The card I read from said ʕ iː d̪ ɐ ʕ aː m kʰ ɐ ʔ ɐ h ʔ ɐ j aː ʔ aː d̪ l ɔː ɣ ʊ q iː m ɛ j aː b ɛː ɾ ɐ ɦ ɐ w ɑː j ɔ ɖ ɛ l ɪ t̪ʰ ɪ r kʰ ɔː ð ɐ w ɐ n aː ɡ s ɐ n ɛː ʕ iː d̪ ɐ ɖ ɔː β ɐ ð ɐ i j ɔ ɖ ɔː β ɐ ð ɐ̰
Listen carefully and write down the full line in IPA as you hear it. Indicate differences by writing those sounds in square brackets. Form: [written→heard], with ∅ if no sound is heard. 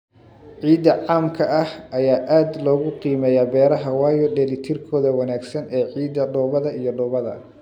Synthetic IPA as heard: ʕ iː d̪ ɐ ʕ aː m kʰ ɐ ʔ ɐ h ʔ ɐ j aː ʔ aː d̪ l ɔː ɣ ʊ q iː m ɛ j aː b ɛː ɾ ɐ ɦ ɐ w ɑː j ɔ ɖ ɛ l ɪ t̪ʰ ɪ r kʰ ɔː ð ɐ w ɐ n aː ɡ s ɐ n ɛː ʕ iː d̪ ɐ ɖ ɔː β ɐ ð ɐ i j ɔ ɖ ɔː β ɐ ð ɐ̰

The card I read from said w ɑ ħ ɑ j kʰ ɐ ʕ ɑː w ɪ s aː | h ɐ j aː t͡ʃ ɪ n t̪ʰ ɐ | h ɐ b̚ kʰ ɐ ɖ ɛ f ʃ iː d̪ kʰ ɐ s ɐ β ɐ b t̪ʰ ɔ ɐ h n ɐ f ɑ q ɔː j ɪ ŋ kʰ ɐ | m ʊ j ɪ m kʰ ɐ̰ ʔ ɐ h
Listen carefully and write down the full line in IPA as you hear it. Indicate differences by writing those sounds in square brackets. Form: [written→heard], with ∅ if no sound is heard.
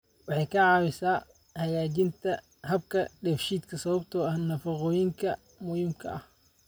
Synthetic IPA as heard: w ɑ ħ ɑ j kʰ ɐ ʕ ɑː w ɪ s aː | h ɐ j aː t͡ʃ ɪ n t̪ʰ ɐ | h ɐ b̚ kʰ ɐ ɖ ɛ f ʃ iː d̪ kʰ ɐ s ɐ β ɐ b t̪ʰ ɔ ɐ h n ɐ f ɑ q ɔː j ɪ ŋ kʰ ɐ | m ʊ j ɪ m kʰ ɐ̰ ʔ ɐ h

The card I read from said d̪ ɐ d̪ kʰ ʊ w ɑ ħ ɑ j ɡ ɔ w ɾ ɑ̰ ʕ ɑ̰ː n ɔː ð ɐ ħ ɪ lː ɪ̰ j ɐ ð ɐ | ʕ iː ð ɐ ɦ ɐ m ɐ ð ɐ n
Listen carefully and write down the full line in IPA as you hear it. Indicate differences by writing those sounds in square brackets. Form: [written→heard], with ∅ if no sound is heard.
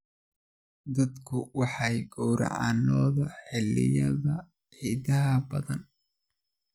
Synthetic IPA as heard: d̪ ɐ d̪ kʰ ʊ w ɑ ħ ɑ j ɡ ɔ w ɾ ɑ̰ ʕ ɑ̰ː n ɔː ð ɐ ħ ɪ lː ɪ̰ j ɐ ð ɐ | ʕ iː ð ɐ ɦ ɐ [m→b] ɐ ð ɐ n

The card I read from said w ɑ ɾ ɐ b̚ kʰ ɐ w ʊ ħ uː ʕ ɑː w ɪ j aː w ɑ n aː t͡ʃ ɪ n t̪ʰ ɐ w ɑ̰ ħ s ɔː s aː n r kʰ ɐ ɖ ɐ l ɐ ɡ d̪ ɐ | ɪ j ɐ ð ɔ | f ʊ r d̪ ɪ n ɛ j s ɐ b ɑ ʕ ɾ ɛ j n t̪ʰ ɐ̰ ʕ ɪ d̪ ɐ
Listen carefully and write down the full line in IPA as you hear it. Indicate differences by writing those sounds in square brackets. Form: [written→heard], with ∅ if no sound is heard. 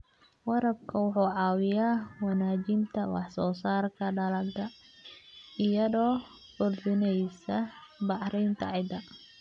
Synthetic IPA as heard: w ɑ ɾ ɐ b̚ kʰ ɐ w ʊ ħ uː ʕ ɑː w ɪ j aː w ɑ n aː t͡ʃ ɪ n t̪ʰ ɐ w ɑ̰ ħ s ɔː s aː [n→∅] r kʰ ɐ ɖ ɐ l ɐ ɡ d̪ ɐ | ɪ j ɐ ð [ɔ→ɔː] | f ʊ r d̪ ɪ n ɛ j s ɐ b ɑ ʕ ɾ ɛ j n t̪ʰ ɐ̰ ʕ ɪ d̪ ɐ

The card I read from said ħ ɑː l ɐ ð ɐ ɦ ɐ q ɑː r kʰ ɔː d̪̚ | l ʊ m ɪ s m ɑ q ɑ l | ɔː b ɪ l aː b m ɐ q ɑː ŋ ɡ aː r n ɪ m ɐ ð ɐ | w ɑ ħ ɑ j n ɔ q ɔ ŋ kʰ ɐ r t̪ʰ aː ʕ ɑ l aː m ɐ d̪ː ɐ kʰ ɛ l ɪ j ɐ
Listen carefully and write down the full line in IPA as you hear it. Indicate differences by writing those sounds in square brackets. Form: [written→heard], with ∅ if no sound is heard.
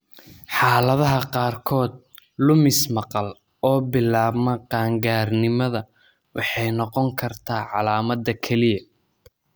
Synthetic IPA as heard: ħ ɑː l ɐ ð ɐ ɦ ɐ q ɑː r kʰ ɔː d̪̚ | l ʊ m ɪ s m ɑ q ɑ l | ɔː b ɪ l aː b m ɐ q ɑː ŋ ɡ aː r n ɪ m ɐ ð ɐ | w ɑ ħ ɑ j n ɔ q ɔ ŋ kʰ ɐ r t̪ʰ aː ʕ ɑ l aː m ɐ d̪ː ɐ kʰ ɛ l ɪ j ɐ

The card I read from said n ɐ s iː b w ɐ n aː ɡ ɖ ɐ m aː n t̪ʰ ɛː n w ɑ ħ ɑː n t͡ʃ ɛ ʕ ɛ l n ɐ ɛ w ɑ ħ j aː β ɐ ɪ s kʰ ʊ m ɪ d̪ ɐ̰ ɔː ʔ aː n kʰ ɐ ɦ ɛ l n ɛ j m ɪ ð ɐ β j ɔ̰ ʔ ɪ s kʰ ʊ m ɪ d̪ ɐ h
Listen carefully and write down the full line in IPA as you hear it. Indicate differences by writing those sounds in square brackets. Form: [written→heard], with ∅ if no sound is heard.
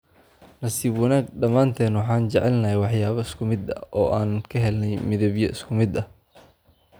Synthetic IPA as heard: n ɐ s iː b w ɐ n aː ɡ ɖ ɐ m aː n t̪ʰ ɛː n w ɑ ħ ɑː n t͡ʃ ɛ ʕ ɛ l n ɐ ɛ w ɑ ħ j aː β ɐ ɪ s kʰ ʊ m ɪ d̪ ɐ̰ ɔː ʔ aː n kʰ ɐ ɦ ɛ l n ɛ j m ɪ ð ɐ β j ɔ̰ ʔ ɪ s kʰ ʊ m ɪ d̪ ɐ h

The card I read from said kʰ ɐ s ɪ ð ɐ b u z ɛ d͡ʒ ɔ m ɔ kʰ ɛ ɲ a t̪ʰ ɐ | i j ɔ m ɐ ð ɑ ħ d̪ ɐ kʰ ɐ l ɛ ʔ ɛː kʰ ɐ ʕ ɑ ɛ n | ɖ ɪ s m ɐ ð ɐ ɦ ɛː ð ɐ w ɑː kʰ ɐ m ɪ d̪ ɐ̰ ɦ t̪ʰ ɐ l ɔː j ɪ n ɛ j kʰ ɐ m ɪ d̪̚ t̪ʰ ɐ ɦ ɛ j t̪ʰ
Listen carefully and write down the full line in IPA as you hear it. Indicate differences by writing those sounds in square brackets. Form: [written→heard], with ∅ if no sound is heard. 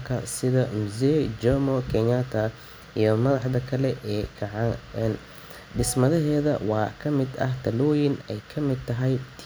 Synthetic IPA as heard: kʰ ɐ s ɪ ð ɐ [b→m] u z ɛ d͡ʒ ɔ m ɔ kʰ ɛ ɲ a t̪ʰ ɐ | i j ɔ m ɐ ð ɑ ħ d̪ ɐ kʰ ɐ l ɛ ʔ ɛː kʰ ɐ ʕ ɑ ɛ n | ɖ ɪ s m ɐ ð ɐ ɦ ɛː ð ɐ w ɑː kʰ ɐ m ɪ d̪ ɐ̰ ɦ t̪ʰ ɐ l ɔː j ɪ n ɛ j kʰ ɐ m ɪ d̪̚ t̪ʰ ɐ ɦ ɛ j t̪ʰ

